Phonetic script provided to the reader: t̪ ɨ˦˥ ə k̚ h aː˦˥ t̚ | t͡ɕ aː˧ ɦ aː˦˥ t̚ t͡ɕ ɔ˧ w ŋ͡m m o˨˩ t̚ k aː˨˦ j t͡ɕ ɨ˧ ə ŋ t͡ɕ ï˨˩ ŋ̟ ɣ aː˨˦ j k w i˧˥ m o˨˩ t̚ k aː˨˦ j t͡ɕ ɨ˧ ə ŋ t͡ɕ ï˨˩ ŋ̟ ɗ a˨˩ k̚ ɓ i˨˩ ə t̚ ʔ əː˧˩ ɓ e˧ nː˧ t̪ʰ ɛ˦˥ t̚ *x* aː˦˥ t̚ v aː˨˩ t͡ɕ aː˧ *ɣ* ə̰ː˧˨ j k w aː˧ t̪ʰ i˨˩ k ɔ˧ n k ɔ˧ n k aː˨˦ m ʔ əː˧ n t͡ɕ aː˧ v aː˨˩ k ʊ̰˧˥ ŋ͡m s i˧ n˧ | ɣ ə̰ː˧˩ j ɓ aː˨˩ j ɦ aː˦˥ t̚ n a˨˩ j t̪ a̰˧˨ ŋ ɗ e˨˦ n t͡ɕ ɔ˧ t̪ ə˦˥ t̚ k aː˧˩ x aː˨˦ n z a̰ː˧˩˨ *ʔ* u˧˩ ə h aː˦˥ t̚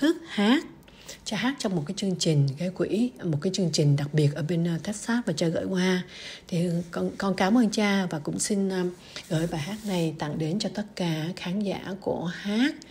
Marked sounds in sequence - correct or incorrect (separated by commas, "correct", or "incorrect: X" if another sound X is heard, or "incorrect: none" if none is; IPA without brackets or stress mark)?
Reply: incorrect: s, correct, incorrect: k